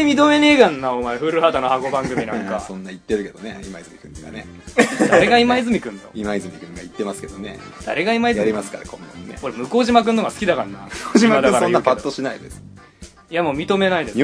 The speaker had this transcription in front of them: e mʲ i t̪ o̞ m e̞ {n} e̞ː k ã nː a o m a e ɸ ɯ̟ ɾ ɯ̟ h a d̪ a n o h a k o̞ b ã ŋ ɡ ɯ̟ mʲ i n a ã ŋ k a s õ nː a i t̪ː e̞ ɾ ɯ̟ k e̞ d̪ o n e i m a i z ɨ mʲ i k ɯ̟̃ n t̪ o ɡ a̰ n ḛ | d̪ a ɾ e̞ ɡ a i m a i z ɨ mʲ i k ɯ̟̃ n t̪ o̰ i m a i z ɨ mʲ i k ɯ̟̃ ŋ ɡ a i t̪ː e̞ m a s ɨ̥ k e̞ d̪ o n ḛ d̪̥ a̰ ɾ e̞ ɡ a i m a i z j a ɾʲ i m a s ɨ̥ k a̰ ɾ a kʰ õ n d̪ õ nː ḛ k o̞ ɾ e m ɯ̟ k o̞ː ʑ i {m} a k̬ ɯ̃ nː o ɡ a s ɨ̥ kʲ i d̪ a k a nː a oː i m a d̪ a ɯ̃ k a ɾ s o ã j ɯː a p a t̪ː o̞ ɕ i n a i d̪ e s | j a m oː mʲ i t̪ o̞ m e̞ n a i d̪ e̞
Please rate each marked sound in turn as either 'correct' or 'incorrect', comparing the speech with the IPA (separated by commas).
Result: correct, correct